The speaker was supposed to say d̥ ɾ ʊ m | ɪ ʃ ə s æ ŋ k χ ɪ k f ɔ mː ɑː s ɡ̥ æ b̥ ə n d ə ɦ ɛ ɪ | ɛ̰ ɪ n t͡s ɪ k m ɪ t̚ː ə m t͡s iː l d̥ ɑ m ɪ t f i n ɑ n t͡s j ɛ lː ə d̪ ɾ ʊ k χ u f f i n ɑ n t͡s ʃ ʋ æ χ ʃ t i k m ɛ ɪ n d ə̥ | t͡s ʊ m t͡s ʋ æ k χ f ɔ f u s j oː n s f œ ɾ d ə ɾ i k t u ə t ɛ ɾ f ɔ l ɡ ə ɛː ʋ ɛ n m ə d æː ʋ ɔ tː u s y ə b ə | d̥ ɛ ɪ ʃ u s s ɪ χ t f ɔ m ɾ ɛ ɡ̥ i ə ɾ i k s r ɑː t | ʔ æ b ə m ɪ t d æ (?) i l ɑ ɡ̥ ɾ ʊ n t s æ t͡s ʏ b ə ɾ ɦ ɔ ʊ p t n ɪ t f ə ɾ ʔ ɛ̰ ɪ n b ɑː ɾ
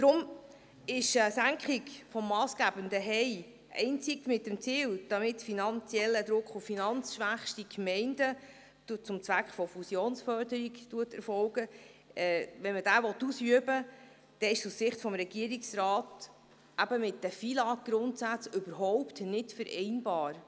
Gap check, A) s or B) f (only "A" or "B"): B